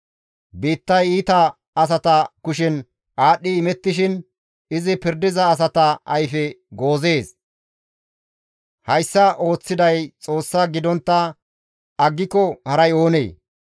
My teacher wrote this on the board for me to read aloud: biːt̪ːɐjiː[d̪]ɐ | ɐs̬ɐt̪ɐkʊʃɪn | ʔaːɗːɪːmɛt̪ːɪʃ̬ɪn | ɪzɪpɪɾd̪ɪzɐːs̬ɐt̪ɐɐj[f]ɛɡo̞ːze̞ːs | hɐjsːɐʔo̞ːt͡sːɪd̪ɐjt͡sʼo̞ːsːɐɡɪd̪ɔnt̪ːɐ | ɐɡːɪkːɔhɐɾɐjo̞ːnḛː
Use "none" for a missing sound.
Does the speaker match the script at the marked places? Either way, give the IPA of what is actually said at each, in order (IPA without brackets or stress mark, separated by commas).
t̪, f